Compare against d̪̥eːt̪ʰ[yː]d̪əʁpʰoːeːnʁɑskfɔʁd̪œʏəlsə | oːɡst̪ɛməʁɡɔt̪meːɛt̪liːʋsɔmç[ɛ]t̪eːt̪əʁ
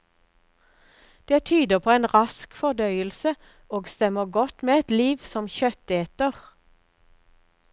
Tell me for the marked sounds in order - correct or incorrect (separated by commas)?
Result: correct, incorrect